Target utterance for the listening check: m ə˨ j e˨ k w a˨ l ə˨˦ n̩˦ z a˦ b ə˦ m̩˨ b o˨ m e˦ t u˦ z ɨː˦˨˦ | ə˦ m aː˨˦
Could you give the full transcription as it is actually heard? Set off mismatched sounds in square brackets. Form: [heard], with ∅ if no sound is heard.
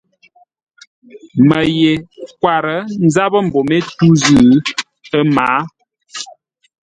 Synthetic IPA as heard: m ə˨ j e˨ k w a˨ [ɾ] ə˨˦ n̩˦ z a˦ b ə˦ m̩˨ b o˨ m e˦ t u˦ z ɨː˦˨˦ | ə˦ m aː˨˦